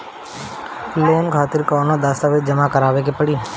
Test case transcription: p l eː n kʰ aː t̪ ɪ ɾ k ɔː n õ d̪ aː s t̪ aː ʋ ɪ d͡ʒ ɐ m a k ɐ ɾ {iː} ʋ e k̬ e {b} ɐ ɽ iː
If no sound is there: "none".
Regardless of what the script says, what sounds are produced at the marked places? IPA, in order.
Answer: aː, p

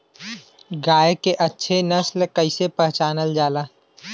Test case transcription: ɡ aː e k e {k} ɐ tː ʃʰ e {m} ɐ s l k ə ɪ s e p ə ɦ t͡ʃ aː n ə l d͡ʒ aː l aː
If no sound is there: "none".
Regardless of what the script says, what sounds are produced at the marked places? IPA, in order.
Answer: ʔ, n

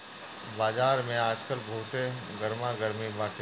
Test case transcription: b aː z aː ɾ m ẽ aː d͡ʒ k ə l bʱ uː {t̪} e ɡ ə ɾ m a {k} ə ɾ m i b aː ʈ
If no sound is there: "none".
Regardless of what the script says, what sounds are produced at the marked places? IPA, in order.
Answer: t̪, ɡ

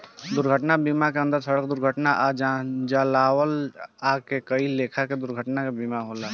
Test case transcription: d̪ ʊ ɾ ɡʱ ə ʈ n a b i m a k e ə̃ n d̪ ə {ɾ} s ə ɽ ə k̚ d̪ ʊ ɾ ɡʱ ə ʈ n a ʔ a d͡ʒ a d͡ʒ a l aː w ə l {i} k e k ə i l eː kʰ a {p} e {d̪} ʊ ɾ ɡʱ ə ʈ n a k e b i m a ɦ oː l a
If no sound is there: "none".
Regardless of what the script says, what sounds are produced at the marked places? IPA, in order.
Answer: ɾ, a, k, d̪

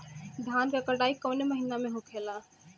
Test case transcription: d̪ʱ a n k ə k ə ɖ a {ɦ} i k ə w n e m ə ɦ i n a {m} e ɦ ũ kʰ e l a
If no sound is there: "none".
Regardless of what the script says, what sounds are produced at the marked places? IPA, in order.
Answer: none, m

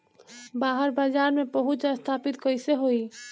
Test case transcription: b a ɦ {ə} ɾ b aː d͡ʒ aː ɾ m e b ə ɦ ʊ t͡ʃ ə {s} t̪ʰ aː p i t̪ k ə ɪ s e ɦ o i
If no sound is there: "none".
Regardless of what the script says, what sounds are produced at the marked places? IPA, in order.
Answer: ə, s

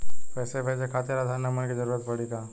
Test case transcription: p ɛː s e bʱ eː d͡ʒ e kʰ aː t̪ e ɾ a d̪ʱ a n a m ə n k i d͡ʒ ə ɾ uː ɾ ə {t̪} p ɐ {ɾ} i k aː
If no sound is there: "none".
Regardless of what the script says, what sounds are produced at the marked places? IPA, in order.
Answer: t̪, ɽ

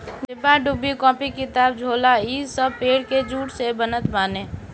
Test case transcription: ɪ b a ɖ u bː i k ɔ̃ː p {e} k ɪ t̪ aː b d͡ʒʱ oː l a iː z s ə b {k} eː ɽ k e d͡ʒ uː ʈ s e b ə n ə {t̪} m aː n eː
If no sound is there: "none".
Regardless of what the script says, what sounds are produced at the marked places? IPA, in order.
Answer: i, p, t̪

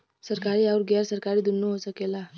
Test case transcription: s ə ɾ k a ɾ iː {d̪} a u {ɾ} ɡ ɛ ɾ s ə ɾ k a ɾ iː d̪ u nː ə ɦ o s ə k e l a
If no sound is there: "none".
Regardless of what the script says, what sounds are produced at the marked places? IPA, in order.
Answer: none, ɾ

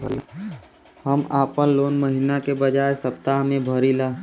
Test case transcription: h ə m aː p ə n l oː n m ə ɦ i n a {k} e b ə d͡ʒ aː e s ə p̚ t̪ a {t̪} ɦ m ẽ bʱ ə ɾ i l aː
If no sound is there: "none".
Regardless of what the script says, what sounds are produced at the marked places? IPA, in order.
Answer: k, none

